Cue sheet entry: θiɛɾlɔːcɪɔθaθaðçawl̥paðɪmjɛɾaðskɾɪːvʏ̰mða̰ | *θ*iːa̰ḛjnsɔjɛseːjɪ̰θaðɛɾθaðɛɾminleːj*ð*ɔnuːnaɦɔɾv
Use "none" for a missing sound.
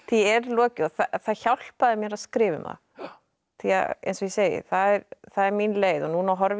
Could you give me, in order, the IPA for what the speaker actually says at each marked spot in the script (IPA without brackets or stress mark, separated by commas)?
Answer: θ, ð